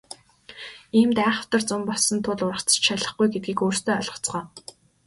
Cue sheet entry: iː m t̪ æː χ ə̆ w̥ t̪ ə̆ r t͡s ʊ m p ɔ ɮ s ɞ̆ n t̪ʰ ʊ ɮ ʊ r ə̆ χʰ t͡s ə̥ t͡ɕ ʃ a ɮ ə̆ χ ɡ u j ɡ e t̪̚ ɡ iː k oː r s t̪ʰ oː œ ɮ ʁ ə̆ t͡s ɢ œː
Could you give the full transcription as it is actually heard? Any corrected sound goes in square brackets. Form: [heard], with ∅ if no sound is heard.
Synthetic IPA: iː m t̪ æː χ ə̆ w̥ t̪ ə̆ r t͡s ʊ m p ɔ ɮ s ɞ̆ n t̪ʰ ʊ ɮ ʊ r ə̆ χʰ t͡s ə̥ t͡ɕ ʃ a ɮ ə̆ χ ɡ u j ɡ e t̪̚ ɡ iː k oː r s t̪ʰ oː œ ɮ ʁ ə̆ t͡s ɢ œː

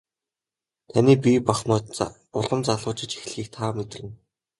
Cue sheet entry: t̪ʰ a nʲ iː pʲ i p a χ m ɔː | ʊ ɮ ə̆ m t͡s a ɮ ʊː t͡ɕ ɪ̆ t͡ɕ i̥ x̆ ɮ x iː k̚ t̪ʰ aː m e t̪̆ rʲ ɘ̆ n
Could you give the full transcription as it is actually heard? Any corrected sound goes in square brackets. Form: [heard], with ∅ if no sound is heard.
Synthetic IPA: t̪ʰ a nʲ iː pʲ i p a χ m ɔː | ʊ ɮ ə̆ m t͡s a ɮ ʊː t͡ɕ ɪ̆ t͡ɕ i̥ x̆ ɮ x iː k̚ t̪ʰ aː m e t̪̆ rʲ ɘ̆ n

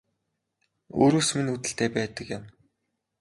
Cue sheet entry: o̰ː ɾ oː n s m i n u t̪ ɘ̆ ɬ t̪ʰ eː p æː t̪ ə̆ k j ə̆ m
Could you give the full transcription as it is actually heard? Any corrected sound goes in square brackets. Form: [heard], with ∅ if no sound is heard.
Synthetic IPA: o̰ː ɾ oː [∅] s m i n u t̪ ɘ̆ ɬ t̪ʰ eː p æː t̪ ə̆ k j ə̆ m

